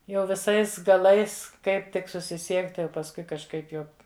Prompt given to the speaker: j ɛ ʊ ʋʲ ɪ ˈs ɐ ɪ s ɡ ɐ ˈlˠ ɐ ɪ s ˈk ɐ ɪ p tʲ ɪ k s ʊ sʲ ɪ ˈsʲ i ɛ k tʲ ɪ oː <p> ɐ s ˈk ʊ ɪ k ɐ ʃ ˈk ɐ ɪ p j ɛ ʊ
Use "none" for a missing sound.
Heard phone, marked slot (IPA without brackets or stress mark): p